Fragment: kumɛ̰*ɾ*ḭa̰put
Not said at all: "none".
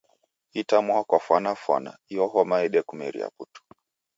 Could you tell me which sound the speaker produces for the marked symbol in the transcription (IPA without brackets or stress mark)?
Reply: ɾ